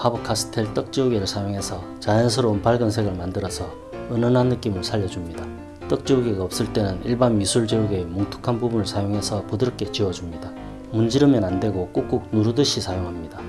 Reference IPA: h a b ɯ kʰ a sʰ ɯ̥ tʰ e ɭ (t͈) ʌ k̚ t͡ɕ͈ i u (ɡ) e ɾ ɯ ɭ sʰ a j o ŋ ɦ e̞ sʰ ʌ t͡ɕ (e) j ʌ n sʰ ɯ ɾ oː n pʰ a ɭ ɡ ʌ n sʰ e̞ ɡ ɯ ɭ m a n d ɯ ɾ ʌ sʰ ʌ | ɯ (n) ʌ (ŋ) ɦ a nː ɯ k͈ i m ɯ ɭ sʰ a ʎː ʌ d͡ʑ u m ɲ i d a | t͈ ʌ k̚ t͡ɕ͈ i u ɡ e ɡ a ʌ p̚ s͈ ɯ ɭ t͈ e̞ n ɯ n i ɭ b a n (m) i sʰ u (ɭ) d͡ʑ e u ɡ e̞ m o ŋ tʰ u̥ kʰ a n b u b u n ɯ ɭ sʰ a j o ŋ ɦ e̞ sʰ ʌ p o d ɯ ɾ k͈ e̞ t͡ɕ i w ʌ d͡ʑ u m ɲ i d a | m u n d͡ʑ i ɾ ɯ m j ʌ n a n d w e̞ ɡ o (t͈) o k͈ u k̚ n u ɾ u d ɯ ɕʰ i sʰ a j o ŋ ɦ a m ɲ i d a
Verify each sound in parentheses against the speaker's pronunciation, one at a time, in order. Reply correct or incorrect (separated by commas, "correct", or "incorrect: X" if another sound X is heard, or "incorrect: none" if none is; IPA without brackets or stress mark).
correct, correct, incorrect: a, correct, incorrect: n, correct, correct, incorrect: k͈